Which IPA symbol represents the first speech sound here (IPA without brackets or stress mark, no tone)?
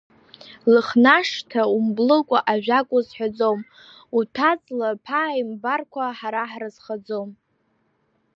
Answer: l